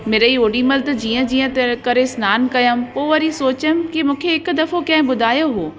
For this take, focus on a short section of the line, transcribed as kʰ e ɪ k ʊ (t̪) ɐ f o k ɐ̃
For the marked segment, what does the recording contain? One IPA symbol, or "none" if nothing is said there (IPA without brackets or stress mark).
d̪